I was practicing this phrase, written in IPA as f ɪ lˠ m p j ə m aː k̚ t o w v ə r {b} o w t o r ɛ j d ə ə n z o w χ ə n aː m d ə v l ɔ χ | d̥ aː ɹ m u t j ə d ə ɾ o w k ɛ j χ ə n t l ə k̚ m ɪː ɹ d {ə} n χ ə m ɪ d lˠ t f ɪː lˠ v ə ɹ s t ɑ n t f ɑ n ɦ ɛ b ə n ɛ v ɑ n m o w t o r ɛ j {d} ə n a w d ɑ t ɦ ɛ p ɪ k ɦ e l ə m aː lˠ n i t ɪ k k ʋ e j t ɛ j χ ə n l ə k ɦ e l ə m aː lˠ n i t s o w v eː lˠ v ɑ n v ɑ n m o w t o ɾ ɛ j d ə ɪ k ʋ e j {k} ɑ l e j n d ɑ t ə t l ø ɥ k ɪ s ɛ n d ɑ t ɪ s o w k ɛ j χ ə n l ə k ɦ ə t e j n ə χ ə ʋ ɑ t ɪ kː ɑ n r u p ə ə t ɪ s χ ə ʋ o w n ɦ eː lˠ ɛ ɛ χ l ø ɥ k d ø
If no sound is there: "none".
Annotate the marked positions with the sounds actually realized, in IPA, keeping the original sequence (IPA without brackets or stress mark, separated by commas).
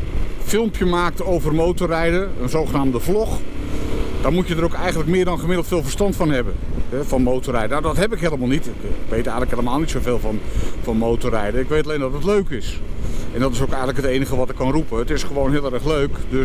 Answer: m, ɑ, d, t